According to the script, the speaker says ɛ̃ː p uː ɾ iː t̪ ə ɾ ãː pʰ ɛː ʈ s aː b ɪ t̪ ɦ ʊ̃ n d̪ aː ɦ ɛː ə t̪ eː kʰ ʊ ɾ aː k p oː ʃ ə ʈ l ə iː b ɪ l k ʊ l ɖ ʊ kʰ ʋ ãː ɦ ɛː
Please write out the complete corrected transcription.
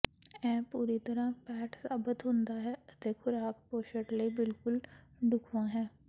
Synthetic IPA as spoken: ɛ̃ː p uː ɾ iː t̪ ə ɾ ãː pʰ ɛː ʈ s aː b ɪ t̪ ɦ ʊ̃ n d̪ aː ɦ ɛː ə t̪ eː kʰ ʊ ɾ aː k p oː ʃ ə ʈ l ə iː b ɪ l k ʊ l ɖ ʊ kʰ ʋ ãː ɦ ɛː